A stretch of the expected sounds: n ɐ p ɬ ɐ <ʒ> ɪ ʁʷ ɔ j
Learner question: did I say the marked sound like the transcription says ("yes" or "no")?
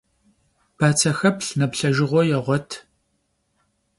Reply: yes